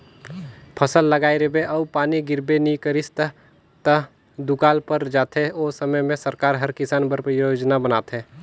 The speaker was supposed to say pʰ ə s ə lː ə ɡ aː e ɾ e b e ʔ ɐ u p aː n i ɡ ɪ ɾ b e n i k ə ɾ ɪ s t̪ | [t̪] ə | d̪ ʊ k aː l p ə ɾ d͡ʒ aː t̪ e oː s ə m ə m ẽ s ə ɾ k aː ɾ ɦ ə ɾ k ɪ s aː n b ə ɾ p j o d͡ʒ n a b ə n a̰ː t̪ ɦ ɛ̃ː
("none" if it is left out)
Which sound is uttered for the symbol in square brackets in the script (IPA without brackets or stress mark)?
t̪